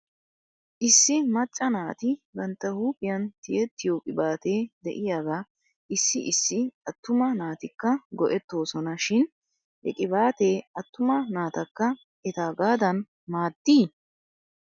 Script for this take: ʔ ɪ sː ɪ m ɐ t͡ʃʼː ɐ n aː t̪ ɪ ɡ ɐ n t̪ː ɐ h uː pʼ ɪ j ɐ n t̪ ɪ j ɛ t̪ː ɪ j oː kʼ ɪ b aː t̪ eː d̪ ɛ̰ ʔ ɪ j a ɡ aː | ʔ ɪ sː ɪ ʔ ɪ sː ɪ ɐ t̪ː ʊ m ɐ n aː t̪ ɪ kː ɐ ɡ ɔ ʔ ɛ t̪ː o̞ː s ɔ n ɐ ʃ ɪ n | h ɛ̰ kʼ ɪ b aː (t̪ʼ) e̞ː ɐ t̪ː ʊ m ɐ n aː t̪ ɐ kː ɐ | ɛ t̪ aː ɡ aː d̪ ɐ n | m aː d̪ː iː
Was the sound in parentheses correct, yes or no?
no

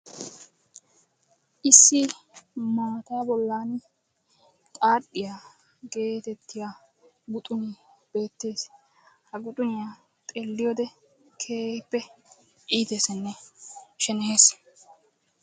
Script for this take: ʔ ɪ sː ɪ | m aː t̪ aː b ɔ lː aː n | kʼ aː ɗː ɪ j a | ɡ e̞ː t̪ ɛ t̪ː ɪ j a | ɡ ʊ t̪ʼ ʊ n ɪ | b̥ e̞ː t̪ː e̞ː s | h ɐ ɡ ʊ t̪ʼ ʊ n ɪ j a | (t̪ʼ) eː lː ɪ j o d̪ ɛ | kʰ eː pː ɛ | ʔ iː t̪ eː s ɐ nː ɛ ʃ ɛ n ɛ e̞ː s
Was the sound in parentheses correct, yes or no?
yes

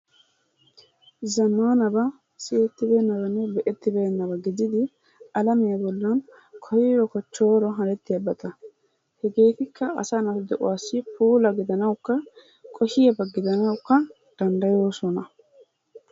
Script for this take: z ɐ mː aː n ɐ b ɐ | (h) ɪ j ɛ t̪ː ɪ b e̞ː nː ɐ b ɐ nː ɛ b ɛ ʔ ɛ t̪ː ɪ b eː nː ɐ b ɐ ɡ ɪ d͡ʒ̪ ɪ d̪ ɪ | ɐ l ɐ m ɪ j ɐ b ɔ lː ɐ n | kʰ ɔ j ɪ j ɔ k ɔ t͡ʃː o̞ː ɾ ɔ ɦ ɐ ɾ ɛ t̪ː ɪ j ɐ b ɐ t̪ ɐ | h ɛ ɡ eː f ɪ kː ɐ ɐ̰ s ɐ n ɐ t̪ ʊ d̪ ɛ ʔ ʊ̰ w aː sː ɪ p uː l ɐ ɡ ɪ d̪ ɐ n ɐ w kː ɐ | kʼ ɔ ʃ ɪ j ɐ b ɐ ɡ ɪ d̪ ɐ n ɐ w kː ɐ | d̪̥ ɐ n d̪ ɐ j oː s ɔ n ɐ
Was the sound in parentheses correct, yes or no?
no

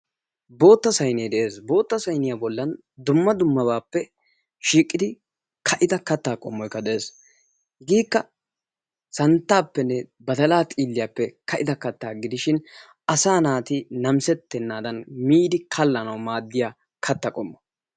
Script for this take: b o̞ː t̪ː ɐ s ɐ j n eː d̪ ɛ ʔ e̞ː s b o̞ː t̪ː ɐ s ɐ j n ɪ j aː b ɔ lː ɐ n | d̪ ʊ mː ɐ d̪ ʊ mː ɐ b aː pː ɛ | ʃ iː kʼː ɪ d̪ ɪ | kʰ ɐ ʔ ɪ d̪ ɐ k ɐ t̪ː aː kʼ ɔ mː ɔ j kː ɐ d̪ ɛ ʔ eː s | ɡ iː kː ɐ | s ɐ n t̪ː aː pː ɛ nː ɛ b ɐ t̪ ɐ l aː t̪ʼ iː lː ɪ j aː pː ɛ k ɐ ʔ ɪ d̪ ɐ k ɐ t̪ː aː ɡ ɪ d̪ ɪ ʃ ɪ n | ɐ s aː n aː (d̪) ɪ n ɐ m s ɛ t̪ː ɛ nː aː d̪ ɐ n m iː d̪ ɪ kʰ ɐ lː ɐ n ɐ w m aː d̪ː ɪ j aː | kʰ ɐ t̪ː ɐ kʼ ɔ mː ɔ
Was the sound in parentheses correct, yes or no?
no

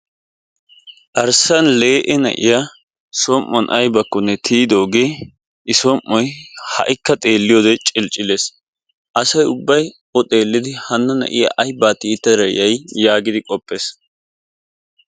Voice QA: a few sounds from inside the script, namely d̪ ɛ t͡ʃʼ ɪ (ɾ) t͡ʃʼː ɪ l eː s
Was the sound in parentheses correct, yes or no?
no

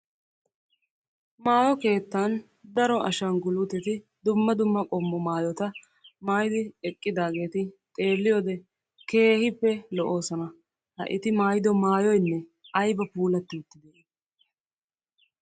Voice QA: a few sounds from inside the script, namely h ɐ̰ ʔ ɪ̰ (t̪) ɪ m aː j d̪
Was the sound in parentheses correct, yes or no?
yes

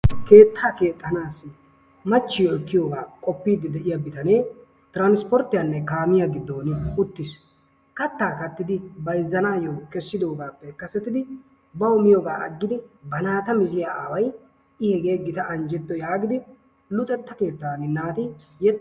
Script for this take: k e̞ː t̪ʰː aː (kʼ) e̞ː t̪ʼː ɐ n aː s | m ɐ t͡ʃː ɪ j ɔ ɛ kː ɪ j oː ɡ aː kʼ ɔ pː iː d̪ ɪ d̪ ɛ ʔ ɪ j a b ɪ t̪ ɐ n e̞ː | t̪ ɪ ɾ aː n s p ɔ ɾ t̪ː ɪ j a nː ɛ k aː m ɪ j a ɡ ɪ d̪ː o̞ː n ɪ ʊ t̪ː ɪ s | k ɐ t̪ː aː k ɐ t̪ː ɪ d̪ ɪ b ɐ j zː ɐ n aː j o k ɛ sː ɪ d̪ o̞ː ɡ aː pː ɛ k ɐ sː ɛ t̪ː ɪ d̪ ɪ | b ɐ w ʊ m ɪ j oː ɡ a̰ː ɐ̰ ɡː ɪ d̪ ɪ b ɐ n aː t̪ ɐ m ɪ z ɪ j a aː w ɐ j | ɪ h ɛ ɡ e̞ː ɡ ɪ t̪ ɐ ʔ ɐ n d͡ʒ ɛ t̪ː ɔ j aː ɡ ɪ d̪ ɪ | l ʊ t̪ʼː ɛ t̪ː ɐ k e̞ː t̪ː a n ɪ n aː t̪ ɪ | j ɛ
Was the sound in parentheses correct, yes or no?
no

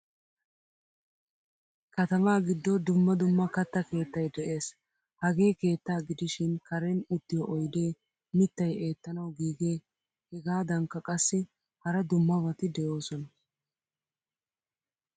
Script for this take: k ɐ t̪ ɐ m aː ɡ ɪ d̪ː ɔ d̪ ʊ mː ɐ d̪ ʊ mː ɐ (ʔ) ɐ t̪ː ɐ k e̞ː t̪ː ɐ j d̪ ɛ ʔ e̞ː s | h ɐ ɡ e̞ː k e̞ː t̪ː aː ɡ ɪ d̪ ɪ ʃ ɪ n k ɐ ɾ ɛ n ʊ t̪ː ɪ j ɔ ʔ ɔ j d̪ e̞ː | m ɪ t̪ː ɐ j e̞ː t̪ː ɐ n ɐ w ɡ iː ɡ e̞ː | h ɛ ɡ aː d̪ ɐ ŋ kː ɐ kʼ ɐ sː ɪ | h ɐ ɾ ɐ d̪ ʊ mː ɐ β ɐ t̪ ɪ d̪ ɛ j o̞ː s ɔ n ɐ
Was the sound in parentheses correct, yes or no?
no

